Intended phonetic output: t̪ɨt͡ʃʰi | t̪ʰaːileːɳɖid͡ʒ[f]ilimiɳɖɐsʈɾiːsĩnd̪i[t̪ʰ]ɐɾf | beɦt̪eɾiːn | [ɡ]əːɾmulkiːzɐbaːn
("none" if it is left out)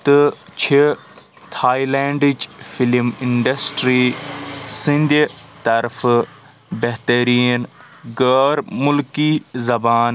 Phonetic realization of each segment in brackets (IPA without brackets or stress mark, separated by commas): f, t̪, ɡ